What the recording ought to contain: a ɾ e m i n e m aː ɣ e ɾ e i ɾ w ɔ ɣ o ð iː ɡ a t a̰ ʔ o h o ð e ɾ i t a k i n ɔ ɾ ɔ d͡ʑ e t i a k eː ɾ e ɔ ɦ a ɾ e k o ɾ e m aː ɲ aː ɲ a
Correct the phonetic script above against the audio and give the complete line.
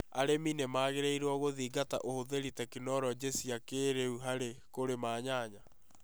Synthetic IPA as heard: a ɾ e m i n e m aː ɣ e ɾ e i ɾ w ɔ ɣ o ð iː ɡ a t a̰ ʔ o h o ð e ɾ i t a k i n ɔ ɾ ɔ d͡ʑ e s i a k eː ɾ e u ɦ a ɾ e k o ɾ e m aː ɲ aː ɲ a